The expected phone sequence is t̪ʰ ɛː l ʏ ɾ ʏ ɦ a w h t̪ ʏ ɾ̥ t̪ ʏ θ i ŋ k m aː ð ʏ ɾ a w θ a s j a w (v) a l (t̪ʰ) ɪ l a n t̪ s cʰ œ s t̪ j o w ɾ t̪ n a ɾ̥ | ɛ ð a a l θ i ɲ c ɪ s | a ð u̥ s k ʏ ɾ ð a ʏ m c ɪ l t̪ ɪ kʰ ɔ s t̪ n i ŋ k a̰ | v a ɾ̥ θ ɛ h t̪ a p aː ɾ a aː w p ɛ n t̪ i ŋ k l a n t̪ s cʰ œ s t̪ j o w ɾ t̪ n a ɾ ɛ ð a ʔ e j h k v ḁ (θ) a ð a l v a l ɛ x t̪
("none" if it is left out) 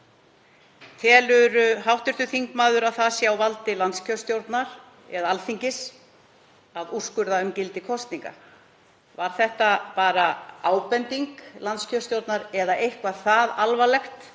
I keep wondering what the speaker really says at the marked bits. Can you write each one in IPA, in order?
v, t̪, θ

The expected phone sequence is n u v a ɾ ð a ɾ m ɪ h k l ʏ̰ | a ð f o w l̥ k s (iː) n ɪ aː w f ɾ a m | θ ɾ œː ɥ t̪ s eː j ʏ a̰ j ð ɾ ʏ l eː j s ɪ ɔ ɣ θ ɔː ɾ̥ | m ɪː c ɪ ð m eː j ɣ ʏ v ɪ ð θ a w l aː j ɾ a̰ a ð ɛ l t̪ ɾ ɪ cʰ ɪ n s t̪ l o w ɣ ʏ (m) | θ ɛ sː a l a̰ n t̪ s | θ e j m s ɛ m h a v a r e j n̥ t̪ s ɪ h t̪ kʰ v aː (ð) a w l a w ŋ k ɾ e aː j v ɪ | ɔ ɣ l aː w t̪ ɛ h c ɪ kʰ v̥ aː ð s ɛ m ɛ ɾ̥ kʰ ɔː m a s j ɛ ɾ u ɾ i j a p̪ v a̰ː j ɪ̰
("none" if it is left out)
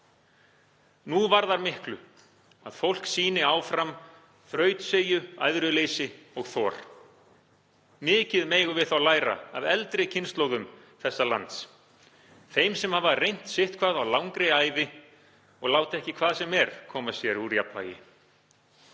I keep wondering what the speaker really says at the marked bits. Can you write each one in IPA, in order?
iː, m, ð

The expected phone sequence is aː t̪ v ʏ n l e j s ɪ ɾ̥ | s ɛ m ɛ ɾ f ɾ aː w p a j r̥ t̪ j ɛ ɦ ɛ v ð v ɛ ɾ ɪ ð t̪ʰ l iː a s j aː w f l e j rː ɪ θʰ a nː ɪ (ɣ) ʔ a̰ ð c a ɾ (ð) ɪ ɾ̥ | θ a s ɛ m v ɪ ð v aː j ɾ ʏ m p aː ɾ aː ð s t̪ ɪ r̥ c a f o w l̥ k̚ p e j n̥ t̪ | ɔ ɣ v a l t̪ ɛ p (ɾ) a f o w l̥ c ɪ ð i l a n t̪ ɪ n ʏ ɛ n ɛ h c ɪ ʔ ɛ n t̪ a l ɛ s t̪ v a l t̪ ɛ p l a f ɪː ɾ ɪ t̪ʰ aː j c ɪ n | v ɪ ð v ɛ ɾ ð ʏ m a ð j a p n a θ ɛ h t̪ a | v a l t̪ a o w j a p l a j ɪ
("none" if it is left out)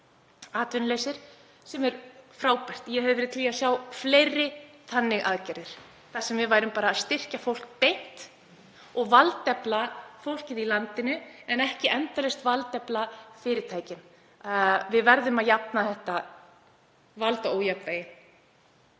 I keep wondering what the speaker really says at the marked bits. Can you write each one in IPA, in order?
ɣ, ð, l

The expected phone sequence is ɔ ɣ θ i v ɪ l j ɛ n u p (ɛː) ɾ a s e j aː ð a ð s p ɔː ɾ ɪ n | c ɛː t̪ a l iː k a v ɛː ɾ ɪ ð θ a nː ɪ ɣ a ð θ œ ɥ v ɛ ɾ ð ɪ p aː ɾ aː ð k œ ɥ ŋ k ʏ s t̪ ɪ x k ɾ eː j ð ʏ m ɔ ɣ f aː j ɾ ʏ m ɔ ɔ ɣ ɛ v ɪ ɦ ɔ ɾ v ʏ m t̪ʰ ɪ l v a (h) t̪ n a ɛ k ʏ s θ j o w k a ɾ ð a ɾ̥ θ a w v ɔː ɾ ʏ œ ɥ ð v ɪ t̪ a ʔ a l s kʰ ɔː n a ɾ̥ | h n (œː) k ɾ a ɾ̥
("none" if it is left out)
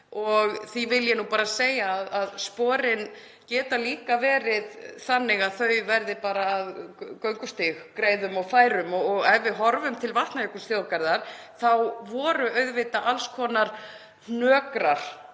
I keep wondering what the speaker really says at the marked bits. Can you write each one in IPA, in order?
aː, h, œː

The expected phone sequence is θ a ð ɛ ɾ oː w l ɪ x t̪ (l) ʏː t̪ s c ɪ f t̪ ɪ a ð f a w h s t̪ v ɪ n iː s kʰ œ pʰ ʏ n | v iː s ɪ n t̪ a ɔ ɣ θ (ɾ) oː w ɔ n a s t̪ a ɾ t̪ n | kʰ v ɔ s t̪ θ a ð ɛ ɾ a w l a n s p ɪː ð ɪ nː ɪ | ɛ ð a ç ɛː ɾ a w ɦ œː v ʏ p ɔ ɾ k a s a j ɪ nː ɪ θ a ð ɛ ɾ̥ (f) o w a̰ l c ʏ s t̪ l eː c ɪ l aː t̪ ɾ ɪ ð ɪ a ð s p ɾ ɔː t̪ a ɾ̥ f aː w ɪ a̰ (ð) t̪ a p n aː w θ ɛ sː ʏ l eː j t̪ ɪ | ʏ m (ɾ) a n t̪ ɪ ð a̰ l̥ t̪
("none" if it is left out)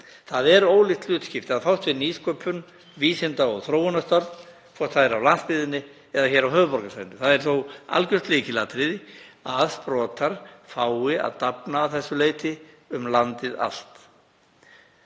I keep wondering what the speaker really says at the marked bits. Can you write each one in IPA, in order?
l, ɾ, θ, ð, l

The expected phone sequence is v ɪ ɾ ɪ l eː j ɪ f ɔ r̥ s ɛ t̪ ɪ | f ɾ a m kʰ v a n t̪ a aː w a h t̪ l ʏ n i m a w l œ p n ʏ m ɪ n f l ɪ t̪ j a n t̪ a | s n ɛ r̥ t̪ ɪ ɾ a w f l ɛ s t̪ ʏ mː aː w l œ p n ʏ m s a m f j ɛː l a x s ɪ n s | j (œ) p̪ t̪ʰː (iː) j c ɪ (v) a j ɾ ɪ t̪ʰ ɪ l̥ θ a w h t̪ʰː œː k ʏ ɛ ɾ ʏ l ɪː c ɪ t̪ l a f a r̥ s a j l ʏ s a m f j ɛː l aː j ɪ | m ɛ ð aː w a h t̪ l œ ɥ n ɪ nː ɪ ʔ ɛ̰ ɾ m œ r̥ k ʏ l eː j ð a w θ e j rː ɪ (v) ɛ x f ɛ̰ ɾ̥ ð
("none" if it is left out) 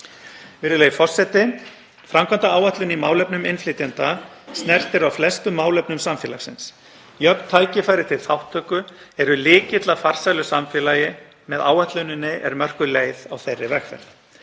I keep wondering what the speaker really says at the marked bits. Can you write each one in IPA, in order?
œ, aː, f, v

